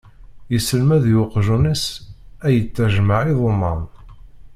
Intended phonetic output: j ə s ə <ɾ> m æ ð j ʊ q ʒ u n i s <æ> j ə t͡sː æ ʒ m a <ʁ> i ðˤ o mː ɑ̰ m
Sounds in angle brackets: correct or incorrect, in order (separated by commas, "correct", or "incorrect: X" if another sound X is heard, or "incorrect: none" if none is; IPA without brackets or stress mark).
incorrect: l, correct, incorrect: ʕ